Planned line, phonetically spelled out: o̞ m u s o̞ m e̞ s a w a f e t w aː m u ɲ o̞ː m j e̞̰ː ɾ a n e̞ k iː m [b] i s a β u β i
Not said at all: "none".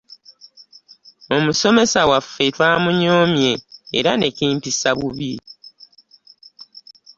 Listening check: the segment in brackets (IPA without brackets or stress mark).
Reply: p